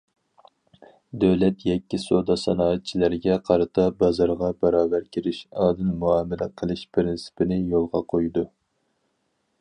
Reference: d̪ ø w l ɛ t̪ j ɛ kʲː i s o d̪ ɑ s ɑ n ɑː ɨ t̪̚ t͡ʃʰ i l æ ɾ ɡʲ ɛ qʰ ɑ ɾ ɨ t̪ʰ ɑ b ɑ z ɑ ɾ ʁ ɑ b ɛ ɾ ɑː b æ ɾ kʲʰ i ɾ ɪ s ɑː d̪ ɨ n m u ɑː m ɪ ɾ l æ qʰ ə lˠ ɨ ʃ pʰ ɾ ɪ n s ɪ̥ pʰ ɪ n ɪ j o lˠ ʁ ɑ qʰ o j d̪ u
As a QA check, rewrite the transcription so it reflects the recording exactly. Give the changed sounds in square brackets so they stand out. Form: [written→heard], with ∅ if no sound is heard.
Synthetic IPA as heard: d̪ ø w l ɛ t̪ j ɛ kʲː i s o d̪ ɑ s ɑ n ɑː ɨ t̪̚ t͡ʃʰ i l æ ɾ ɡʲ ɛ qʰ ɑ ɾ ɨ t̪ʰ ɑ b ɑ z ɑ ɾ ʁ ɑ b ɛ ɾ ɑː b æ ɾ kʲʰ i ɾ ɪ [s→ʃ] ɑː d̪ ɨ n m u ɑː m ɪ [ɾ→∅] l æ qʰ ə lˠ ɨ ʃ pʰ ɾ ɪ n s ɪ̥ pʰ ɪ n ɪ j o lˠ ʁ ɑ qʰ o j d̪ u